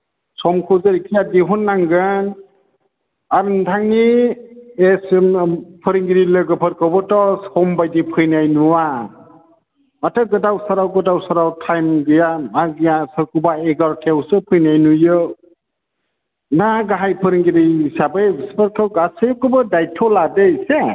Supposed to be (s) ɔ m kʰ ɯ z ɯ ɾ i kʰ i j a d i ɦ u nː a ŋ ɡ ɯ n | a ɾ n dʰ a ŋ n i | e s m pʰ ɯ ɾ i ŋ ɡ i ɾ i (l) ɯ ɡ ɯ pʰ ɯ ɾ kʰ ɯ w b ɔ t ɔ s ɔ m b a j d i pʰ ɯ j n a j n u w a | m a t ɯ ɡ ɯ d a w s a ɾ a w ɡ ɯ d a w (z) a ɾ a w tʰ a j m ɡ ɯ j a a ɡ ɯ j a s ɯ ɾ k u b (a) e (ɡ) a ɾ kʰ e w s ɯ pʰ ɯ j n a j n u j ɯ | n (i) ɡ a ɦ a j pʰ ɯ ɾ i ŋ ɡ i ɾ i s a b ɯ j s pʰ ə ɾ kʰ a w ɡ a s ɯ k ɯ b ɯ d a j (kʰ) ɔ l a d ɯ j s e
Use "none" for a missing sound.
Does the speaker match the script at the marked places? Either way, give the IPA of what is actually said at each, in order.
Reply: s, l, s, a, ɡ, a, tʰ

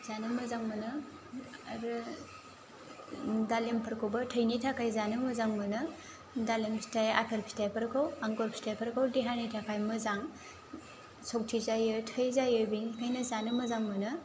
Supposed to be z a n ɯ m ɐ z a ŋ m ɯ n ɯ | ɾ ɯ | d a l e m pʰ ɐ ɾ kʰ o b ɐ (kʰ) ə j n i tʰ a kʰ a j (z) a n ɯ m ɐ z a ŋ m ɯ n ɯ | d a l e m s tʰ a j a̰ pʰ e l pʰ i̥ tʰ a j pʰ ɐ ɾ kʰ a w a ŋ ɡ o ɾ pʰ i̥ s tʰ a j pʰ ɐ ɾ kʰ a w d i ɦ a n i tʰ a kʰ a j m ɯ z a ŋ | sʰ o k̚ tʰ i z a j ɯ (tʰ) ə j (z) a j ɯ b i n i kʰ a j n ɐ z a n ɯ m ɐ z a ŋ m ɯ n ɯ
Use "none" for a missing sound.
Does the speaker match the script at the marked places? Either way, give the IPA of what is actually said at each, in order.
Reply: tʰ, z, tʰ, z

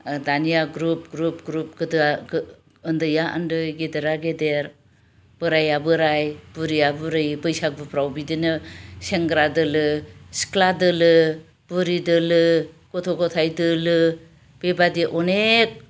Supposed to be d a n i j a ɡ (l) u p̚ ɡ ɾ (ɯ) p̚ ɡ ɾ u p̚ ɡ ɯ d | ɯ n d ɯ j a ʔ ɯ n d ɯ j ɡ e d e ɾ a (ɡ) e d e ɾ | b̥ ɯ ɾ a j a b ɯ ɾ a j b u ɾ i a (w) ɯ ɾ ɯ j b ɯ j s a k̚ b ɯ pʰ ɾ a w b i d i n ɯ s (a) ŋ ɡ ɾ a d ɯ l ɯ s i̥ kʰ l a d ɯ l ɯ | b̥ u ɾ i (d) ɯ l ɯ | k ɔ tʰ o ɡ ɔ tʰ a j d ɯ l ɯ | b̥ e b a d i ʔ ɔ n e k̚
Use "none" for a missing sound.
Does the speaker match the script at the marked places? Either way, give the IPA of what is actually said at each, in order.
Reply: ɾ, u, ɡ, b, e, d

